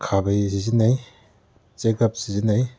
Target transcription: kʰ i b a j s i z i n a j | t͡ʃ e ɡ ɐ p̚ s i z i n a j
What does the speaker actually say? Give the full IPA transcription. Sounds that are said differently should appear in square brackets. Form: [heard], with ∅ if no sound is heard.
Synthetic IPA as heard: kʰ [a] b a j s i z i n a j | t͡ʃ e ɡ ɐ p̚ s i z i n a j